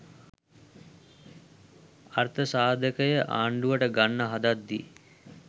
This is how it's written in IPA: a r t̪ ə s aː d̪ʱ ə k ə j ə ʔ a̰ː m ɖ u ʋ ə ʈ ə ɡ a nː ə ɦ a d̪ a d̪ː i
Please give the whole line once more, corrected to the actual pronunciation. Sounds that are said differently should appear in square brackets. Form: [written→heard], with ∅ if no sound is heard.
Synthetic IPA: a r t̪ ə s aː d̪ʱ ə k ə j ə ʔ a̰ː [m→ɳ] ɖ u ʋ ə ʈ ə ɡ a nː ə ɦ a d̪ a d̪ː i